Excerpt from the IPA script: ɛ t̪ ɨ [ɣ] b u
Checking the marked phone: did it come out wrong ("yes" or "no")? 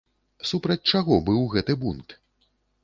yes